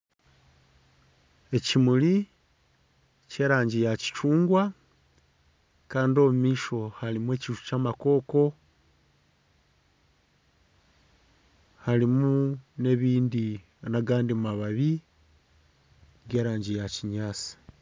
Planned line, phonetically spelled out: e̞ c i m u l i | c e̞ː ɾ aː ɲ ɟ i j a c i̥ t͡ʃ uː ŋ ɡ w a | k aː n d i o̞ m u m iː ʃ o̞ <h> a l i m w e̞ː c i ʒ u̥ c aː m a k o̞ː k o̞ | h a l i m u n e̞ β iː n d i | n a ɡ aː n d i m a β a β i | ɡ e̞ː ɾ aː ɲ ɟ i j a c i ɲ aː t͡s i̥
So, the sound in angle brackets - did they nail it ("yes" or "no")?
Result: yes